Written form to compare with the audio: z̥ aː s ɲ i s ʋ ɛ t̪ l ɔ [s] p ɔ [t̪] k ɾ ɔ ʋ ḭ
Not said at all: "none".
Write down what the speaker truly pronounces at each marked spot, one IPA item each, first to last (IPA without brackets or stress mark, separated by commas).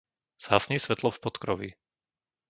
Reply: f, t̪